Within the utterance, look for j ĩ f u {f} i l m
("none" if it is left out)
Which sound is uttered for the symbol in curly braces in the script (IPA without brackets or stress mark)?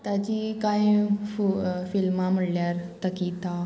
f